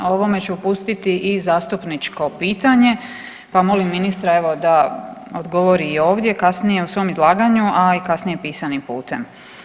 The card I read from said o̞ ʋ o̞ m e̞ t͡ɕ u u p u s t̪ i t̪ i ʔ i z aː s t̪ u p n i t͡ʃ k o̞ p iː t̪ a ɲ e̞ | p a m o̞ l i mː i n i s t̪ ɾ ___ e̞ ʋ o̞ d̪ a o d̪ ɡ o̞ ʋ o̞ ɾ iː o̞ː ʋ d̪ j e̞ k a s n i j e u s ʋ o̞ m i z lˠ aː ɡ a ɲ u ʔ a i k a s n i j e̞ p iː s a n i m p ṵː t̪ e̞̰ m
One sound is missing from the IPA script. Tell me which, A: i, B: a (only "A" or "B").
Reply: B